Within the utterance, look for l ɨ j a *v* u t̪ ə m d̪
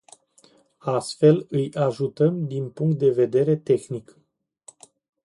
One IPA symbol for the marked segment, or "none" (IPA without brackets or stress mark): ʒ